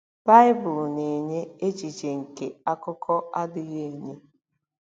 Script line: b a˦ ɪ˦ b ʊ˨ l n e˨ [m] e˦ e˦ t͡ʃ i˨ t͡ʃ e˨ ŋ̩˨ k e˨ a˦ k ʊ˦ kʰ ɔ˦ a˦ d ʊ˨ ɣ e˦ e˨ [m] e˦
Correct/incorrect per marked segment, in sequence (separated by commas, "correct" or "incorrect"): incorrect, incorrect